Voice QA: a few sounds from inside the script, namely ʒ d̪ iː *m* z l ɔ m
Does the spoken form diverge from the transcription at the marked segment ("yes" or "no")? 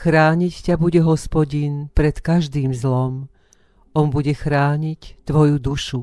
no